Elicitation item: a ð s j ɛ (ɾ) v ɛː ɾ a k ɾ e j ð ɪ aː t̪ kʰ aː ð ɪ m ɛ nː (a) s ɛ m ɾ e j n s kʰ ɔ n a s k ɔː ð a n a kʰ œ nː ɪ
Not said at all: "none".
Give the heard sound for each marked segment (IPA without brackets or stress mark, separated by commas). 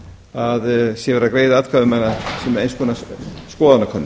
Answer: none, a